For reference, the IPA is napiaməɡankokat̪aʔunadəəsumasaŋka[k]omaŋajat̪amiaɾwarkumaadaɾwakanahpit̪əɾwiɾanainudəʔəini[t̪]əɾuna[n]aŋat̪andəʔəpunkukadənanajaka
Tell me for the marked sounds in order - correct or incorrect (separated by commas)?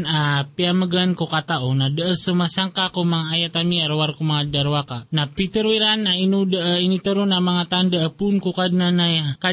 correct, correct, incorrect